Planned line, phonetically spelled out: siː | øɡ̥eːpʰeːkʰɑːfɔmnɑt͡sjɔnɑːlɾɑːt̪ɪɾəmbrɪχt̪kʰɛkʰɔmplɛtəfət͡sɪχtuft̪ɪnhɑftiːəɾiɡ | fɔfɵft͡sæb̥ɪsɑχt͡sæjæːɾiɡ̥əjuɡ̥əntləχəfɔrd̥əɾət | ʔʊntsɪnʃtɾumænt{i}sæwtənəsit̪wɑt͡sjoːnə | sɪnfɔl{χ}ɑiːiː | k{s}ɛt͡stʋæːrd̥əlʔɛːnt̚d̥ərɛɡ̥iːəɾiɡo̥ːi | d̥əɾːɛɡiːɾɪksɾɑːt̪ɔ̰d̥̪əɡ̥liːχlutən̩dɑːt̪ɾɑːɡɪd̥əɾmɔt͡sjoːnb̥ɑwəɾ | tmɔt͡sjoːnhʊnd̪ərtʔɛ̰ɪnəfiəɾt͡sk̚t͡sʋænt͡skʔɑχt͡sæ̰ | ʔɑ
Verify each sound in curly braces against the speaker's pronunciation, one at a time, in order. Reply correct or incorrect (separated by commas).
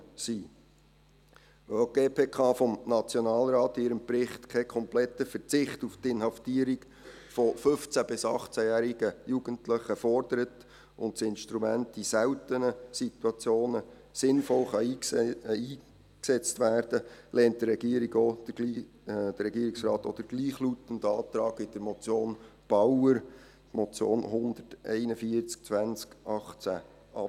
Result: correct, correct, correct